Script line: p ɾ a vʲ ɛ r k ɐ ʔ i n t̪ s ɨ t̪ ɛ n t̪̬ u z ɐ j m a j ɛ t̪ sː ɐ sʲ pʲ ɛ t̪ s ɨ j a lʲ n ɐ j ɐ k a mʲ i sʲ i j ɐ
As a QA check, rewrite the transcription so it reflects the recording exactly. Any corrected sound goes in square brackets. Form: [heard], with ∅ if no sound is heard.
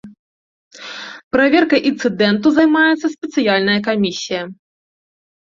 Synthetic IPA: p ɾ a vʲ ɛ r k ɐ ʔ i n t̪ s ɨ [d̪] ɛ n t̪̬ u z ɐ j m a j ɛ t̪ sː ɐ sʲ pʲ ɛ t̪ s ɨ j a lʲ n ɐ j ɐ k a mʲ i sʲ i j ɐ